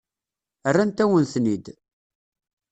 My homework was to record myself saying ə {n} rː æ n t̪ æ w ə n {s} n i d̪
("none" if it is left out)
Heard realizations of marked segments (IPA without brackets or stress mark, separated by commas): none, θ